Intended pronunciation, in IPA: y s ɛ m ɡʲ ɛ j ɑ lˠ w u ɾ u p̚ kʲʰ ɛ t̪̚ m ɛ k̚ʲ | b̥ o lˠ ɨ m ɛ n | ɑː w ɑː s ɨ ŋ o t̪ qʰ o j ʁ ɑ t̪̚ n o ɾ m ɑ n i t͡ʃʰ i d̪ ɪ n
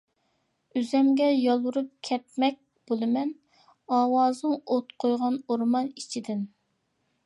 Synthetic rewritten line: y z ɛ m ɡʲ ɛ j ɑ lˠ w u ɾ u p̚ kʲʰ ɛ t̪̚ m ɛ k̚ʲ | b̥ o lˠ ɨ m ɛ n | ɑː w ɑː z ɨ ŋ o t̪ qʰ o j ʁ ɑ n o ɾ m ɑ n i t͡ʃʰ i d̪ ɪ n